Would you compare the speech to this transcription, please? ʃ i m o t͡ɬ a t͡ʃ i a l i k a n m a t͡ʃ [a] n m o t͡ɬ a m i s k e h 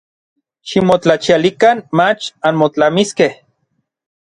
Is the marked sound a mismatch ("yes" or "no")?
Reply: no